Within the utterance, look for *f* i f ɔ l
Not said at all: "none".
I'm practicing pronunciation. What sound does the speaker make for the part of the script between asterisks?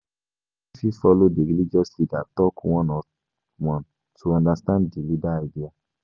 f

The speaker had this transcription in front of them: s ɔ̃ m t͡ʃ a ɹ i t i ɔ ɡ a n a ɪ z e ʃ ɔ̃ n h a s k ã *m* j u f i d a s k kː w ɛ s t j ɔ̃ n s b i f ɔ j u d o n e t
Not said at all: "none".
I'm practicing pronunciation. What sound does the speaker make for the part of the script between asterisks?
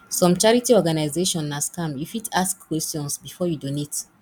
m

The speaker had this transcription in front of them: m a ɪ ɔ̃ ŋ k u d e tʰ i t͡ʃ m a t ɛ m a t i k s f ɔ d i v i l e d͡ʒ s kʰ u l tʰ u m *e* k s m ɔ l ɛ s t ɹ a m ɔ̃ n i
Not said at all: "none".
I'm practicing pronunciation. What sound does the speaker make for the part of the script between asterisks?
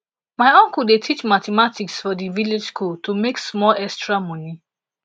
e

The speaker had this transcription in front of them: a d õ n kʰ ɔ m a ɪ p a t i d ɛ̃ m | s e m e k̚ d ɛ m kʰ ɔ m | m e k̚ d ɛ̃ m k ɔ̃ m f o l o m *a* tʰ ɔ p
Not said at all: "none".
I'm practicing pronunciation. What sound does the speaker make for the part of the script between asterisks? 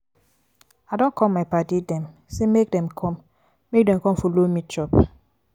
i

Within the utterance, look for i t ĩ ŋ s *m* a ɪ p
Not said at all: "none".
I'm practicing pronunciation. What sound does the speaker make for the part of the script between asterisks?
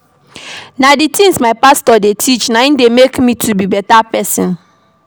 m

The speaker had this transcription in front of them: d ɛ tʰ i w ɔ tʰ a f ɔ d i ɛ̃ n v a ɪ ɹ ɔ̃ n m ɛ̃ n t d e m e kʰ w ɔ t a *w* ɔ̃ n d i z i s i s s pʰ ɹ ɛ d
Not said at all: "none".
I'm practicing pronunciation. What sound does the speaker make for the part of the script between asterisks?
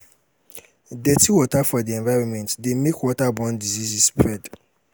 b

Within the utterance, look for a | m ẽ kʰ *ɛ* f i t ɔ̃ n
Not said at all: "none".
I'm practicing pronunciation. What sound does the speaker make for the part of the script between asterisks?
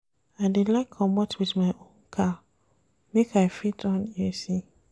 a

